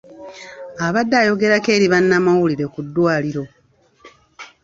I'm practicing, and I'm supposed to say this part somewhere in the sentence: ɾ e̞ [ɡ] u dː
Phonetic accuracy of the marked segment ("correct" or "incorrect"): incorrect